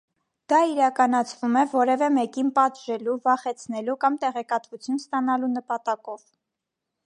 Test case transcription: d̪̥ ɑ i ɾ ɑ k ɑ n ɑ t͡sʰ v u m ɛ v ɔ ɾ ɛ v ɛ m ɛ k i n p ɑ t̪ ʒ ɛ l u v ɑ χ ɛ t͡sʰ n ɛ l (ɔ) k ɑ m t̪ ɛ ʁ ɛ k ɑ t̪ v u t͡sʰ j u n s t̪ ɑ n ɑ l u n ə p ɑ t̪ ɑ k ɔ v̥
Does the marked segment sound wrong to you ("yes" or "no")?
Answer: yes